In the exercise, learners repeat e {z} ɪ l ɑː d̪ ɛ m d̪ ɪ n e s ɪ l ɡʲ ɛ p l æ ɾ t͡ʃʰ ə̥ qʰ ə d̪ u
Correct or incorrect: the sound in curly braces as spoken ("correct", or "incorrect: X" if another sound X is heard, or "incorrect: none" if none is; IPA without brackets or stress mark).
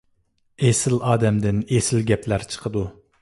incorrect: s